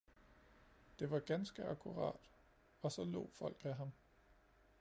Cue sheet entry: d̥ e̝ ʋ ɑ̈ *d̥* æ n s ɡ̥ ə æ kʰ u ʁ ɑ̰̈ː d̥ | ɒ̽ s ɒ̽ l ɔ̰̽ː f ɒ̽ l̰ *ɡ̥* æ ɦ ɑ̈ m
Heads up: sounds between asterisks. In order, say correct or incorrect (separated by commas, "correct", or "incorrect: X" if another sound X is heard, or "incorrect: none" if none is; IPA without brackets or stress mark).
incorrect: ɡ̥, correct